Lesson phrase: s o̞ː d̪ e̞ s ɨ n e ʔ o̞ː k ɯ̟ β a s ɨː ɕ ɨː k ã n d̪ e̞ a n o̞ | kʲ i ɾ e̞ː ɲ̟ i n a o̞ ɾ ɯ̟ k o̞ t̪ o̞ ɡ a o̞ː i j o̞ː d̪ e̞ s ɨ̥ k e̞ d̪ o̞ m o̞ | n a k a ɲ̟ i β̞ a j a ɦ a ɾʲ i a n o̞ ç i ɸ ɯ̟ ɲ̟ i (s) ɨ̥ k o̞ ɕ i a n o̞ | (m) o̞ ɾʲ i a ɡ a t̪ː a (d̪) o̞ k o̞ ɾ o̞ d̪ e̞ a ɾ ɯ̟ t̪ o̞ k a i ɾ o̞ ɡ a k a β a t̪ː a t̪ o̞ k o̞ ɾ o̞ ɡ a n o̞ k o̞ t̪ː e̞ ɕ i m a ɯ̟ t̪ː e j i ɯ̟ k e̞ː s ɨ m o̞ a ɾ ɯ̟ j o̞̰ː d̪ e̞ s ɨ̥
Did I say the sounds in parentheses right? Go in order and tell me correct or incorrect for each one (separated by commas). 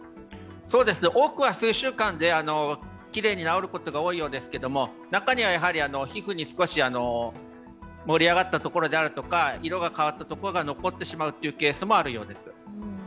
correct, correct, incorrect